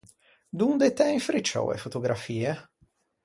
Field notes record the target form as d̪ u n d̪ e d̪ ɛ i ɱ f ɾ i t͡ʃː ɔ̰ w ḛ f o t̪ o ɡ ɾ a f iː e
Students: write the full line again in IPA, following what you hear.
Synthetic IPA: d̪ u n d̪ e t̪ ɛ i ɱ f ɾ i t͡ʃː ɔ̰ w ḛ f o t̪ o ɡ ɾ a f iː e